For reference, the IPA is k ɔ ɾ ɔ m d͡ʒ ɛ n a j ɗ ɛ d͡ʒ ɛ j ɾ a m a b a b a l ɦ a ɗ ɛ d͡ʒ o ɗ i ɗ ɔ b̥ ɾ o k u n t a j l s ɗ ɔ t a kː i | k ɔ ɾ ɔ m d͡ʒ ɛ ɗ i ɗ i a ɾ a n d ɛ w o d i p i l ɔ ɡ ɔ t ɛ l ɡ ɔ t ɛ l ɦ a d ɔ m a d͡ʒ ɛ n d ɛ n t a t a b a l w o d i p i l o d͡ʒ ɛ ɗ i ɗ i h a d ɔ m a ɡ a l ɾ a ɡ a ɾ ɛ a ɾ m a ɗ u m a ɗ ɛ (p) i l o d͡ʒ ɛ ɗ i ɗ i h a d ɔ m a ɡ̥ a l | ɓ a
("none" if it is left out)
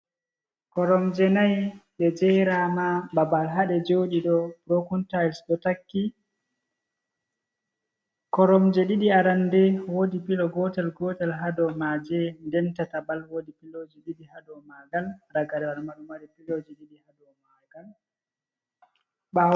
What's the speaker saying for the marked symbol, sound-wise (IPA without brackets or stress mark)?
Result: p